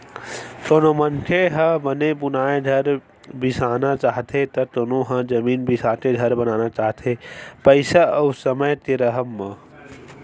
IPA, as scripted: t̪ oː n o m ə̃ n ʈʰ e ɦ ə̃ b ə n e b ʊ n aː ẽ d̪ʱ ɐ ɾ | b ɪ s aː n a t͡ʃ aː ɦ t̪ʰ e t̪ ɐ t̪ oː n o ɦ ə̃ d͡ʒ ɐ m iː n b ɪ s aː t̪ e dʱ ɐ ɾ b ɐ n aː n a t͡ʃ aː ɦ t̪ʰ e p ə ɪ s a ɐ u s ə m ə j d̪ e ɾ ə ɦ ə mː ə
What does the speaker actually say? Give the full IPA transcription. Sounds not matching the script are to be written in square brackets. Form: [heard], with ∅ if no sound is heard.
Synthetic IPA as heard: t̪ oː n o m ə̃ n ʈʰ e ɦ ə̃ b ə n e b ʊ n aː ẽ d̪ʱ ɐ ɾ | b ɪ s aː n a t͡ʃ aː ɦ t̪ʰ e t̪ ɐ t̪ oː n o ɦ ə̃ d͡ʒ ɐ m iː n b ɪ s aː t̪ e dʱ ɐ ɾ b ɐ n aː n a t͡ʃ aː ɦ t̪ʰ e p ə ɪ s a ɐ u s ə m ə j [t̪] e ɾ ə ɦ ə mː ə